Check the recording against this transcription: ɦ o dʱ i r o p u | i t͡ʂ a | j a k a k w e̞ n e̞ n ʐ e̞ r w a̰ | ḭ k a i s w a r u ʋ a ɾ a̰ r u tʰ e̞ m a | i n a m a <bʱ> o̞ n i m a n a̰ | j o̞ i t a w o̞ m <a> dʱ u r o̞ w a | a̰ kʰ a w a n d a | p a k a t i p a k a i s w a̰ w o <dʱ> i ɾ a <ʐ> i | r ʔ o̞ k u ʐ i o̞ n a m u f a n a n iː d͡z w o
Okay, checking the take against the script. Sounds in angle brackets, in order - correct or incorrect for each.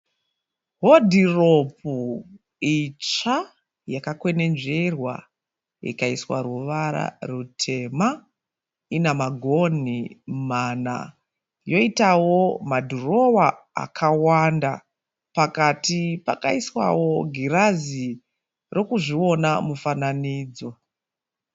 incorrect, correct, incorrect, incorrect

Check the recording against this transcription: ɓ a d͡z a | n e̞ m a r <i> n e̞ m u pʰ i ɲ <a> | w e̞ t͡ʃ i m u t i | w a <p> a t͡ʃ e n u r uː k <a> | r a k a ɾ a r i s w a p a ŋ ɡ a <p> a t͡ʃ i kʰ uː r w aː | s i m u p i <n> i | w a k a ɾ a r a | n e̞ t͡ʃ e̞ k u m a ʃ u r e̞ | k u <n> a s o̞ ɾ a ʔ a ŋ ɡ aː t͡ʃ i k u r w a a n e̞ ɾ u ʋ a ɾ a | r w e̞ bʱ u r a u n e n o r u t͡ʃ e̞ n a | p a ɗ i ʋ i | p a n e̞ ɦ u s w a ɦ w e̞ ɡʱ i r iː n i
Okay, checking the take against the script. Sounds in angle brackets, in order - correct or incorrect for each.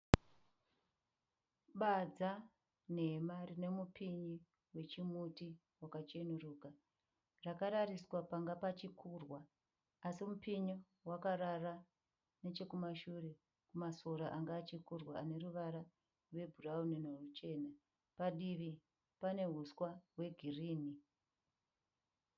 correct, incorrect, incorrect, correct, correct, incorrect, incorrect

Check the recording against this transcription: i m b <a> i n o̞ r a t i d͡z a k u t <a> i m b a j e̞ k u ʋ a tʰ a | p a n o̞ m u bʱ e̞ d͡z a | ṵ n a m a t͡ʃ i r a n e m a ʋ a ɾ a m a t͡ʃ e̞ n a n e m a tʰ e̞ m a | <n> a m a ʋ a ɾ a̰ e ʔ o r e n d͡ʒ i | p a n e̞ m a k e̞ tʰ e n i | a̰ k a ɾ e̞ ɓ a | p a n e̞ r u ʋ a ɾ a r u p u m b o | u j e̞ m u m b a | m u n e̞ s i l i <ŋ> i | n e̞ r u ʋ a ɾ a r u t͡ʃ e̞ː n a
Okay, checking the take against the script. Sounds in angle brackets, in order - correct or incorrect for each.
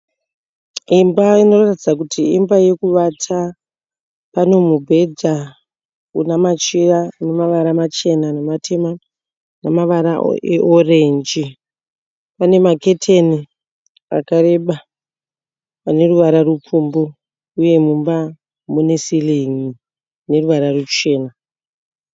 correct, incorrect, correct, correct

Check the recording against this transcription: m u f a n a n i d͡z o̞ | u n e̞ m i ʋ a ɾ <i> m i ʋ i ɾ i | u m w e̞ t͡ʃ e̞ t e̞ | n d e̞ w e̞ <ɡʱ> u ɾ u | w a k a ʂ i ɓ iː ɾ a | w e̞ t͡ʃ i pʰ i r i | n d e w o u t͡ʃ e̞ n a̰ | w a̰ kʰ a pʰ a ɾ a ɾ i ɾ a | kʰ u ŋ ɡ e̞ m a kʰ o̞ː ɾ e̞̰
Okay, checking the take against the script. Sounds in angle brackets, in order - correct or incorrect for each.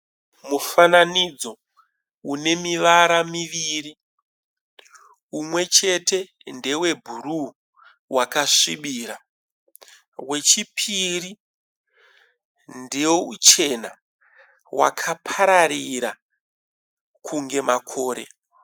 incorrect, incorrect

